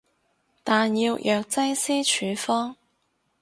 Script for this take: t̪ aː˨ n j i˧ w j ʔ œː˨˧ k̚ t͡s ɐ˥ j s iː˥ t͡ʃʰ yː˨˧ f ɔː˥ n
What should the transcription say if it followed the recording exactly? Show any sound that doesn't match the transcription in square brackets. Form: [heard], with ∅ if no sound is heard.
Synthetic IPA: t̪ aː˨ n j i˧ w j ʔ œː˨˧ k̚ t͡s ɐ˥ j s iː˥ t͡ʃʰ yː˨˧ f ɔː˥ [ŋ]